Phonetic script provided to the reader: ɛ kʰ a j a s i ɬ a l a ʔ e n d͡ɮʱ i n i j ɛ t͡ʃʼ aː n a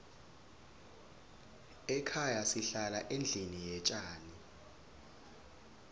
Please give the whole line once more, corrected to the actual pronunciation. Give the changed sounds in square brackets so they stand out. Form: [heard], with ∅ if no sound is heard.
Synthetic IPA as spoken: ɛ kʰ a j a s i ɬ a l a ʔ e n d͡ɮʱ i n i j ɛ t͡ʃʼ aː n [i]